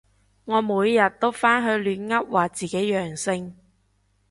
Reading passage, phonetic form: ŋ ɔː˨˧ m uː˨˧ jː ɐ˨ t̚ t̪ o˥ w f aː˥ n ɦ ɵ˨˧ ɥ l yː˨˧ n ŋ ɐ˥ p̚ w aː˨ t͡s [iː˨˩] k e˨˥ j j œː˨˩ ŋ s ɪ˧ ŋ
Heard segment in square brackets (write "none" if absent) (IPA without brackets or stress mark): iː˨˩